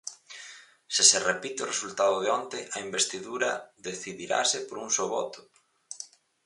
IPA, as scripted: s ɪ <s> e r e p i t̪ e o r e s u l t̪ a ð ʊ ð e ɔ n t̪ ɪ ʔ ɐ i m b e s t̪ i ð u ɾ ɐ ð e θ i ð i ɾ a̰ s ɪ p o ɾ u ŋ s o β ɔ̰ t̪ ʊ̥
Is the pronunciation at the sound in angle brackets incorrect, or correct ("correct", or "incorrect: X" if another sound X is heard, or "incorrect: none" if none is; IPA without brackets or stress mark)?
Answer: correct